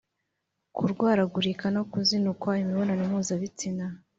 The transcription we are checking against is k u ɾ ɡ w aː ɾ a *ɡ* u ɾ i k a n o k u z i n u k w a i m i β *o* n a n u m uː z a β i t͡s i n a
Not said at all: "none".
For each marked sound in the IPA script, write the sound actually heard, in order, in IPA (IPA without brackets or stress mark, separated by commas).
ɡ, o